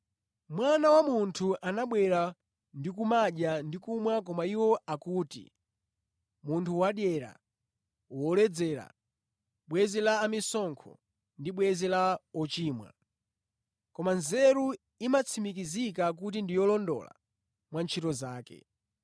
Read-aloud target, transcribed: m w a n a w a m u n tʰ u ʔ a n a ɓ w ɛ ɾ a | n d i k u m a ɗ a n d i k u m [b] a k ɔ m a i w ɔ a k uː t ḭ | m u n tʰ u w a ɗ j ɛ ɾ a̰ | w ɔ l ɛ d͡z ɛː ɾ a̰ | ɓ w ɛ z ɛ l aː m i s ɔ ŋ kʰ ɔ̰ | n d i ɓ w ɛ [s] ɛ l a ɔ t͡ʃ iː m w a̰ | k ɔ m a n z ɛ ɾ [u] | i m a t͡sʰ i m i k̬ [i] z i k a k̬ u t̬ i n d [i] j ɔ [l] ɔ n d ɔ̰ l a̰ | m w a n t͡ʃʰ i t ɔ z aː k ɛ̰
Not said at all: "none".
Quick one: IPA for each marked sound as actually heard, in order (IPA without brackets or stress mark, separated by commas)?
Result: w, z, u, i, i, l